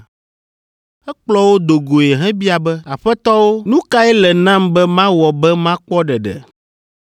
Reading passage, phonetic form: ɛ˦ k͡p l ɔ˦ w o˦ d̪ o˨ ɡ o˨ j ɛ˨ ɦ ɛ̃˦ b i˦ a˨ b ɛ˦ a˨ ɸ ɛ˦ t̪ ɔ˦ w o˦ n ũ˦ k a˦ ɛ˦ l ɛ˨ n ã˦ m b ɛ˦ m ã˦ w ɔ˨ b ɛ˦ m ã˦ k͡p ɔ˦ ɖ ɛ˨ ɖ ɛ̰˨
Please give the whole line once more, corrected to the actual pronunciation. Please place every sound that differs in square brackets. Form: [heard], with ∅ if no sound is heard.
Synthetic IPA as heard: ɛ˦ k͡p l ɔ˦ w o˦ d̪ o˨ ɡ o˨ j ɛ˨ ɦ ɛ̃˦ b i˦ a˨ b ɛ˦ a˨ ɸ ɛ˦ t̪ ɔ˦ w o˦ n ũ˦ k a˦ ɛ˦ l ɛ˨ n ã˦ m b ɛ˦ m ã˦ w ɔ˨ b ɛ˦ m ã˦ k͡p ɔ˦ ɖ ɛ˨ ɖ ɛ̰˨